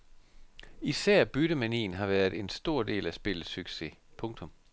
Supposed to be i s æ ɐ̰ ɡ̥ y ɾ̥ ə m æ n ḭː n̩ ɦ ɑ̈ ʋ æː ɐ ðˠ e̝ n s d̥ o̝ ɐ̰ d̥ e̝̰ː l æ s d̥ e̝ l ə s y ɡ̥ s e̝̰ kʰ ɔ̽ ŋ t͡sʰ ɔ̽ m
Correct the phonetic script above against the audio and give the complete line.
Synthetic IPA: i s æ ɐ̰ b̥ y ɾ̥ ə m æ n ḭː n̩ ɦ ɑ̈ ʋ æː ɐ ðˠ e̝ n s d̥ o̝ ɐ̰ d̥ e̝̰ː l æ s b̥ e̝ l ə s y ɡ̥ s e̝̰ pʰ ɔ̽ ŋ t͡sʰ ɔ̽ m